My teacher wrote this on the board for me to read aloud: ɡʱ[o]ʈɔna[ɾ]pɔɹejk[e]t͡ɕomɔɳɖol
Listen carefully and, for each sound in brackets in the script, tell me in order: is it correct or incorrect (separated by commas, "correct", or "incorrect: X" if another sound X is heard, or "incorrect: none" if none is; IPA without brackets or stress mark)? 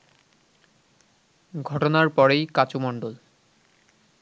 incorrect: ɔ, incorrect: ɹ, incorrect: a